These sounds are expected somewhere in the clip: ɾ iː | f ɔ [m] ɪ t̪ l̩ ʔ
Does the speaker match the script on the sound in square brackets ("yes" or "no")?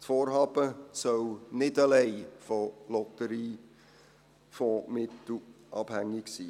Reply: yes